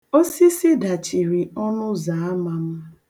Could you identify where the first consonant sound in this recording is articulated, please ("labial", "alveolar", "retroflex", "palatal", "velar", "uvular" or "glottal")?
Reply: alveolar